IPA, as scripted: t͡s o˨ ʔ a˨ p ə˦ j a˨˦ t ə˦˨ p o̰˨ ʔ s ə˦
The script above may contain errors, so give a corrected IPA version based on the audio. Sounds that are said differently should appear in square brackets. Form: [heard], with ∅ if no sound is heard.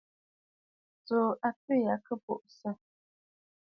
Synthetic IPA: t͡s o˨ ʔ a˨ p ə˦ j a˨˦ [k] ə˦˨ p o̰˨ ʔ s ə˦